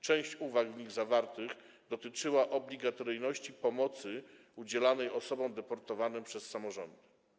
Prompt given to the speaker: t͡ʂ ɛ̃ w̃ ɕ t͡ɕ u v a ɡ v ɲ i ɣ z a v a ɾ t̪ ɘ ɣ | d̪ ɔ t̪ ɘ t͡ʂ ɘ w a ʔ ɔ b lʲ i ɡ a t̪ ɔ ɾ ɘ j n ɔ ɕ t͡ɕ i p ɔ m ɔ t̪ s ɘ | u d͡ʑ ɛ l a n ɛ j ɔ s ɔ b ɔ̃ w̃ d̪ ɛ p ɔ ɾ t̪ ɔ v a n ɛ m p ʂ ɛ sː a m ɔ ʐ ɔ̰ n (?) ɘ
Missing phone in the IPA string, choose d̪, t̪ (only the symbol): d̪